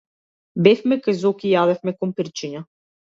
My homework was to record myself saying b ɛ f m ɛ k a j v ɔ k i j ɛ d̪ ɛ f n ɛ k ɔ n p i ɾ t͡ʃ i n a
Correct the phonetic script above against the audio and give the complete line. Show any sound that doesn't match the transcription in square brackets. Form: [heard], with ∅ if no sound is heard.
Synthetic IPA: b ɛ f m ɛ k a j [z] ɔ k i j [a] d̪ ɛ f [m] ɛ k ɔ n p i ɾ t͡ʃ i [ɲ] a